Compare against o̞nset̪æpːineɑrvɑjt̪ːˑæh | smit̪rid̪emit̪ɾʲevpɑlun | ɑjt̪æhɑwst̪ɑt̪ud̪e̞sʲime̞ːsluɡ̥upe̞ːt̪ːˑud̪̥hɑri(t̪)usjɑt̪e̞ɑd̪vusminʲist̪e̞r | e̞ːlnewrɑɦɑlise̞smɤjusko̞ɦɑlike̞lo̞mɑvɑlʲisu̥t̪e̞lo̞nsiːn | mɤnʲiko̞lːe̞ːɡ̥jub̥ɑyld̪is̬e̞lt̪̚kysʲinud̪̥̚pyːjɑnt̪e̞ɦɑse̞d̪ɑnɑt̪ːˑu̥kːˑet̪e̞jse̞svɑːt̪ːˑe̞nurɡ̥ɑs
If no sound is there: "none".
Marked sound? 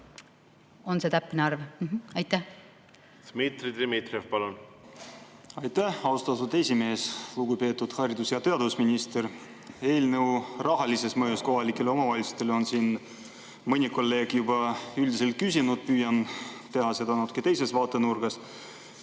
d̪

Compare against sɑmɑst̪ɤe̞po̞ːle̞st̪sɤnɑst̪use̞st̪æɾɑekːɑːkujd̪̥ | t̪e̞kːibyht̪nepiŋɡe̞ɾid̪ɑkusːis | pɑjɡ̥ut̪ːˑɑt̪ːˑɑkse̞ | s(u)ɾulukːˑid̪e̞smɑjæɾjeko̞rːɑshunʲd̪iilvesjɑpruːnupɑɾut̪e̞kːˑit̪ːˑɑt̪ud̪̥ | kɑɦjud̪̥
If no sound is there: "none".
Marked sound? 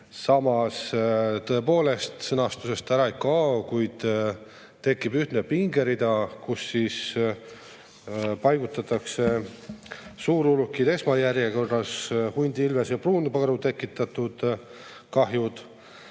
uː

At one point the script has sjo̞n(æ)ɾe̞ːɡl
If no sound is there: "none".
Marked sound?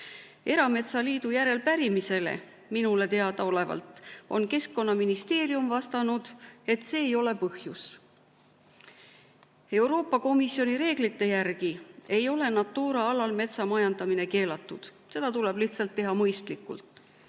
i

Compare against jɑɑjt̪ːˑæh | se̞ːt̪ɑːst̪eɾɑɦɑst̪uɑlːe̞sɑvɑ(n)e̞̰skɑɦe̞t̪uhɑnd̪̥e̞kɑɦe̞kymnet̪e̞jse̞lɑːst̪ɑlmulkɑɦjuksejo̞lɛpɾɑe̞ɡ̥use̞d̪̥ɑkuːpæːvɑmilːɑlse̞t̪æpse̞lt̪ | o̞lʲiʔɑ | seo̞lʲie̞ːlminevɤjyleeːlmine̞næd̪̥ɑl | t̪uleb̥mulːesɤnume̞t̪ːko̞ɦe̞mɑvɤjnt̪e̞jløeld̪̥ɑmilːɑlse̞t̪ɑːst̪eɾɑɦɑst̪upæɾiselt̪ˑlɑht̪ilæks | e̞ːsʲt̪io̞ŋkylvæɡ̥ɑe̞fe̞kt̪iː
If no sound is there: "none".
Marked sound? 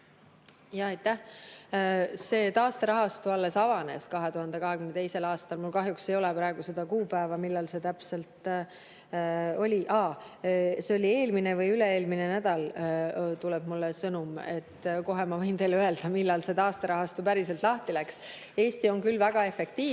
n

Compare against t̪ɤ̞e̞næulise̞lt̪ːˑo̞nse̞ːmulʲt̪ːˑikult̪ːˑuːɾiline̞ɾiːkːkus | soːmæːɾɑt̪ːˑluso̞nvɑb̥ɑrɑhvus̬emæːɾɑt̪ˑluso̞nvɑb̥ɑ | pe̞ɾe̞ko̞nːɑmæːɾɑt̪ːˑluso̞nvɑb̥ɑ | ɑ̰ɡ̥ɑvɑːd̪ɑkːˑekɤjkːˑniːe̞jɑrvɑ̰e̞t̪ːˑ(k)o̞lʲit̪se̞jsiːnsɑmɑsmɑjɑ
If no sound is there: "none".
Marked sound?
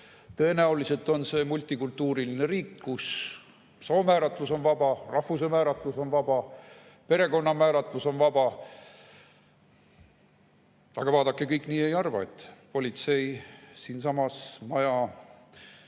p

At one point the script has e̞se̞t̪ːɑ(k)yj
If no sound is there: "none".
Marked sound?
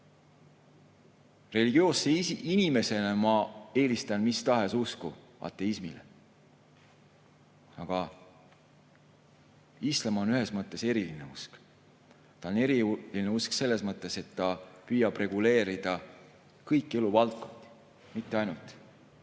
p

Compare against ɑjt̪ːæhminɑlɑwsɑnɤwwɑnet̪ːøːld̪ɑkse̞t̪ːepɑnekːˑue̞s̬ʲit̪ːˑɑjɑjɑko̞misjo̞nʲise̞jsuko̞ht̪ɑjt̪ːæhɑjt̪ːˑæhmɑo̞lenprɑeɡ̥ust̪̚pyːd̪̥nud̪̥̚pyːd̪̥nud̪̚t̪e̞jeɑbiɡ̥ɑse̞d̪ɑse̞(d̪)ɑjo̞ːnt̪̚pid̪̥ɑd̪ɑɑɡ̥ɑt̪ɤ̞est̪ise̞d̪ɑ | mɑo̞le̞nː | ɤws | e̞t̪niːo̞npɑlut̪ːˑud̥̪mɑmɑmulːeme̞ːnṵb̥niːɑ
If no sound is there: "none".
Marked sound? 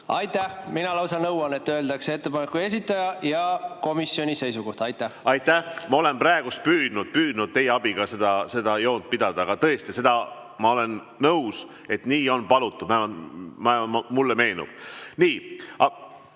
d̪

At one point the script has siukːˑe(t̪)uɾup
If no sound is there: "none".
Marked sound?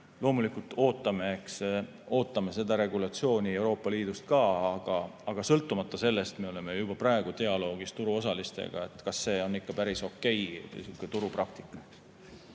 t̪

